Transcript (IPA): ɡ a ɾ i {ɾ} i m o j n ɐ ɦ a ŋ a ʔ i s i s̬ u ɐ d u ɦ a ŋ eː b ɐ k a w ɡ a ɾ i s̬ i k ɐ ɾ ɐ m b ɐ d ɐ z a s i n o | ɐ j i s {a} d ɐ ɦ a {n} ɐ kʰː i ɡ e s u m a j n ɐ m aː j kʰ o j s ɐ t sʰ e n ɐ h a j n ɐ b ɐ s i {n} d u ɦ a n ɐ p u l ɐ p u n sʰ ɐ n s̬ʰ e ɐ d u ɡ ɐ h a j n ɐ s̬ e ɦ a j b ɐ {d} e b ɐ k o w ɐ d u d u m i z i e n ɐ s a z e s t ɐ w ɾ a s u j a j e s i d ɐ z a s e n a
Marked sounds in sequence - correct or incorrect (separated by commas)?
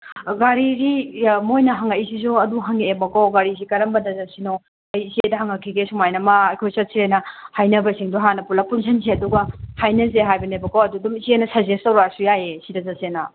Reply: correct, incorrect, incorrect, incorrect, incorrect